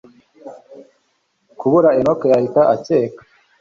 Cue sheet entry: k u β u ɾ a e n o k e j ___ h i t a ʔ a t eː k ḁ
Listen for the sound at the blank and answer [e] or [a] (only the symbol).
a